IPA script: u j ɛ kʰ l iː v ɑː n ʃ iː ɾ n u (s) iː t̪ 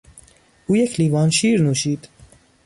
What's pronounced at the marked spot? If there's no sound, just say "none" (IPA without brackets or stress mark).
ʃ